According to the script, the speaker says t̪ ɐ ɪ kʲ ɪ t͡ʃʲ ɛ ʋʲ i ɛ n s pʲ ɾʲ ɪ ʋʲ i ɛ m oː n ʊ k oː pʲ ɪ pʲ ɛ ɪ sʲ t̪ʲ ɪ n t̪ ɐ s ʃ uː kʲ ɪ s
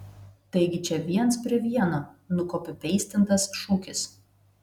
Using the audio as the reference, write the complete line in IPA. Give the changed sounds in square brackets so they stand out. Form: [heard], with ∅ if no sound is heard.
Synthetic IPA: t̪ ɐ ɪ [ɡʲ] ɪ t͡ʃʲ ɛ ʋʲ i ɛ n s pʲ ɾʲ ɪ ʋʲ i ɛ [n] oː n ʊ k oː pʲ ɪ pʲ ɛ ɪ sʲ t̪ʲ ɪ n t̪ ɐ s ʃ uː kʲ ɪ s